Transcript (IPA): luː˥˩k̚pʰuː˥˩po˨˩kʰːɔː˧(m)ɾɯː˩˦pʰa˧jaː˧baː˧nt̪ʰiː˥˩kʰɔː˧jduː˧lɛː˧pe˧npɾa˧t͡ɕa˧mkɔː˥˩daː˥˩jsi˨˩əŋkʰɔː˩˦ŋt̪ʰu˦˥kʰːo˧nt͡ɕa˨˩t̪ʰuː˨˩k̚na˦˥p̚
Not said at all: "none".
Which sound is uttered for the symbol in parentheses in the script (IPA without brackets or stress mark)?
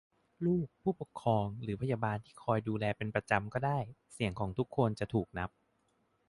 ŋ